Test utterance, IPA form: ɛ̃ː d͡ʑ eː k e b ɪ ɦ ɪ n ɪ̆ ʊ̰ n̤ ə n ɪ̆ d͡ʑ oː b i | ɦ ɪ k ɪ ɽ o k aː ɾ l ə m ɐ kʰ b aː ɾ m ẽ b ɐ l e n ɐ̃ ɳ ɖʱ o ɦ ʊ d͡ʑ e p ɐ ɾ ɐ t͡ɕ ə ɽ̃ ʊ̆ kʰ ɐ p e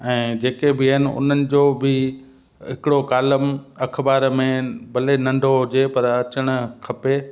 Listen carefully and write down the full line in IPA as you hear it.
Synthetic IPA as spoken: ɛ̃ː d͡ʑ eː k e b ɪ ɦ ɪ n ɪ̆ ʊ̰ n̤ ə n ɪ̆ d͡ʑ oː b ɪ | ɦ ɪ k ɪ ɽ o k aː l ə m ɐ kʰ b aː ɾ m ẽ b ɐ l e n ɐ̃ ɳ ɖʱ o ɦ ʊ d͡ʑ e p ɐ ɾ ɐ t͡ɕ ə ɽ̃ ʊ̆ kʰ ɐ p e